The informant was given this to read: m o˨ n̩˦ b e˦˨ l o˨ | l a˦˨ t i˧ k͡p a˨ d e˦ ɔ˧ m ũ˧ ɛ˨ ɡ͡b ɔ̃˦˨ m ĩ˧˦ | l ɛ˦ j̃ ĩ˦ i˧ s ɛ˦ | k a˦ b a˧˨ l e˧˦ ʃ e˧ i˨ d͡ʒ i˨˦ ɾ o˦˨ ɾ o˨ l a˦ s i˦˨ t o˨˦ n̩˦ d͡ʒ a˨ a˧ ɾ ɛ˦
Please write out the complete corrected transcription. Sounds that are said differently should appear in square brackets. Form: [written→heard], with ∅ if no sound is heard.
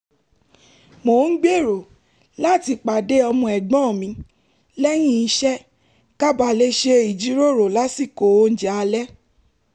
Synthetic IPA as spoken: m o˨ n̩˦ [b→ɡ͡b] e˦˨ [l→ɾ] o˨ | l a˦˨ t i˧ k͡p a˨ d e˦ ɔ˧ m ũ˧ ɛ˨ ɡ͡b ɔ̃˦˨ m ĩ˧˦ | l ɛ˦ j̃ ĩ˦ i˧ [s→ʃ] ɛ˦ | k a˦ b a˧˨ l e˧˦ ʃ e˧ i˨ d͡ʒ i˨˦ ɾ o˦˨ ɾ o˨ l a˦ s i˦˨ [t→k] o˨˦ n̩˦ d͡ʒ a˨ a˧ [ɾ→l] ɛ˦